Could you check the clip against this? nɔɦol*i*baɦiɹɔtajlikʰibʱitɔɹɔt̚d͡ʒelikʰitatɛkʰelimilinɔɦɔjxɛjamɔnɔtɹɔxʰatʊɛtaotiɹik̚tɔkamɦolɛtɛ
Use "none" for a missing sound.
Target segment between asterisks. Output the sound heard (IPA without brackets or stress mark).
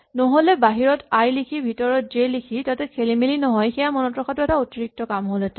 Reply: ɛ